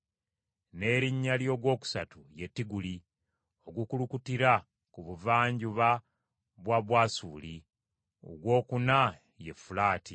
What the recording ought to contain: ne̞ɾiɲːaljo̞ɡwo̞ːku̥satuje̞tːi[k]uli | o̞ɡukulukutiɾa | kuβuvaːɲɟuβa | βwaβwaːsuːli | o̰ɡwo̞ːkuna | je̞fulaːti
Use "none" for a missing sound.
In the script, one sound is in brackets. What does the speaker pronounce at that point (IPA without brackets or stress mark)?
ɡ